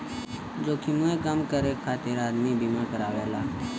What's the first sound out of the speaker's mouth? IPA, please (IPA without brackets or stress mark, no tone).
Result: d͡ʒ